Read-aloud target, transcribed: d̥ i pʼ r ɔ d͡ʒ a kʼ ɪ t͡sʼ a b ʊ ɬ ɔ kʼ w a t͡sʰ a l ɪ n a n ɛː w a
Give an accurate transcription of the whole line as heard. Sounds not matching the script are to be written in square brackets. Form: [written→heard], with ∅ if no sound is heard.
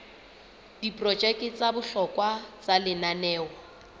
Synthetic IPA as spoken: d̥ i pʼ r ɔ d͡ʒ [a→ɛ] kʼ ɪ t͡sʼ a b ʊ ɬ ɔ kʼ w a [t͡sʰ→t͡s] a l ɪ n a n ɛː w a